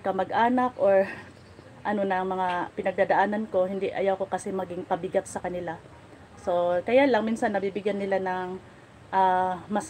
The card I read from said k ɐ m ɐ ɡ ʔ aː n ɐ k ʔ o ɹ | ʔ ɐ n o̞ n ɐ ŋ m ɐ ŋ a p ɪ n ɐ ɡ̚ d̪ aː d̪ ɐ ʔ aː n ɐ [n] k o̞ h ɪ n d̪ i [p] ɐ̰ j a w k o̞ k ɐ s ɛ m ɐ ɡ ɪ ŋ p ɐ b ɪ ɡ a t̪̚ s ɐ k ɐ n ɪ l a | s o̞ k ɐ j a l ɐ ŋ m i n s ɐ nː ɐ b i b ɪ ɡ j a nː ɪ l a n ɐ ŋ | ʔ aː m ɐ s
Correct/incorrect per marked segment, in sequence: correct, incorrect: ʔ

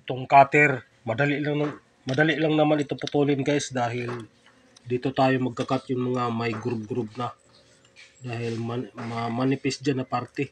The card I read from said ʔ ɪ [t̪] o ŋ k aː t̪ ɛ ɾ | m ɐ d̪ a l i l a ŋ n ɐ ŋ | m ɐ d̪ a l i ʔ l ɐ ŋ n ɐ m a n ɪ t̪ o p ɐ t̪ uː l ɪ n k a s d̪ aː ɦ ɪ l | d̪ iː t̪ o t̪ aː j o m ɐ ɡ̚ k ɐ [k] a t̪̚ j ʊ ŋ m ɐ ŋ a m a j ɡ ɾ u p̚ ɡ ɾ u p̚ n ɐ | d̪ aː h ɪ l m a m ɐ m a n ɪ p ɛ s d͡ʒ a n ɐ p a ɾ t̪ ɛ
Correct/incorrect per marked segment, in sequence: correct, correct

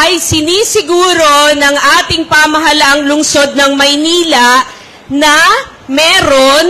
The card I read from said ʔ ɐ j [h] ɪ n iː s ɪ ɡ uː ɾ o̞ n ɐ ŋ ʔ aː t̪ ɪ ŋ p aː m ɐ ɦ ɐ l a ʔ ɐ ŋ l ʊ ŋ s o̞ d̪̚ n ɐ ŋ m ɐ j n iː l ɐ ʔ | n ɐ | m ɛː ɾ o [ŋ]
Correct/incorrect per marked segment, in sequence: incorrect: s, incorrect: n

